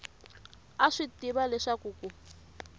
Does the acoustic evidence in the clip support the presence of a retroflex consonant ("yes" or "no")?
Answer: yes